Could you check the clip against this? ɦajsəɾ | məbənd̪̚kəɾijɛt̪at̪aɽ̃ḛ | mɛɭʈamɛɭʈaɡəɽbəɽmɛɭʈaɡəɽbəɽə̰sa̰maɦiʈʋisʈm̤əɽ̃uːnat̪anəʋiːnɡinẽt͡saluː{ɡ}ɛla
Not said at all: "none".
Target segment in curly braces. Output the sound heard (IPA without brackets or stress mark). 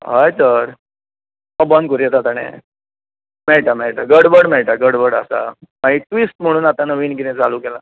k